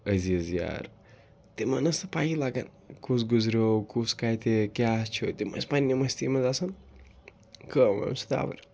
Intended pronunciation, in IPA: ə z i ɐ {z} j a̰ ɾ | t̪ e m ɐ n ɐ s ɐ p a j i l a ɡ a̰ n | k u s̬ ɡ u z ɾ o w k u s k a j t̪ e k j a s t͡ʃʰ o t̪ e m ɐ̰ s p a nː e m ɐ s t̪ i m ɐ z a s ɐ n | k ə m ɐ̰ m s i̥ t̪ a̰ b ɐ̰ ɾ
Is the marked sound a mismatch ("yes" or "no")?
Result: no